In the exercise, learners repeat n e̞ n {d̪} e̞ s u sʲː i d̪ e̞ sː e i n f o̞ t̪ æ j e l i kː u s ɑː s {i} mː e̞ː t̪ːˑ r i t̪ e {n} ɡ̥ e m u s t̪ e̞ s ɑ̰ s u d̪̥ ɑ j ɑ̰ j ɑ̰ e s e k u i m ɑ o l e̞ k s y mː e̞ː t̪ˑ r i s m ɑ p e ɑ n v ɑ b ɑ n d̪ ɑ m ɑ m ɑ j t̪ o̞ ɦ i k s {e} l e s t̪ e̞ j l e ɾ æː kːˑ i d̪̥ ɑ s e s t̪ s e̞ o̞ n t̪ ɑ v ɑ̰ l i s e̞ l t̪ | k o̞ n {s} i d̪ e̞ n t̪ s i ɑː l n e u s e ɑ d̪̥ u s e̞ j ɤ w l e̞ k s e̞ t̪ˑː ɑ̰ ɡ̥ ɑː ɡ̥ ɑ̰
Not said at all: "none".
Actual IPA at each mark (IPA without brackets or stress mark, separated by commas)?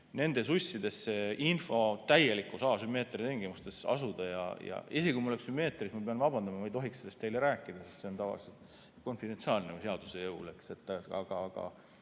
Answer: d̪, y, ŋ, e, f